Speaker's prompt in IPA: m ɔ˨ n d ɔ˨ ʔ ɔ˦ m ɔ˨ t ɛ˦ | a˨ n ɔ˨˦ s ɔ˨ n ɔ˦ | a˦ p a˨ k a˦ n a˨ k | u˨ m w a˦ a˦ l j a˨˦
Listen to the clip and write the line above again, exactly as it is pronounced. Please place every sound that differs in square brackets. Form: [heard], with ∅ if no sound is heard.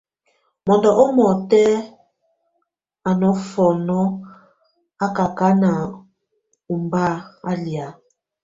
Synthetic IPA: m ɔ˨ n d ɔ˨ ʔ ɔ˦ m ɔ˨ t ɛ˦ | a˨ n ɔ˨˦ [f] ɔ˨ n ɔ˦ | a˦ [k] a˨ k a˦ n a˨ [∅] | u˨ m [b] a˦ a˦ l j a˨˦